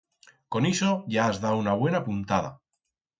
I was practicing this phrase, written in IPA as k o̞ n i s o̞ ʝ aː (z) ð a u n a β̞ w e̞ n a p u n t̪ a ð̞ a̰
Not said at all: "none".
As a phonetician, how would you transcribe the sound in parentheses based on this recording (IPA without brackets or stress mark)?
z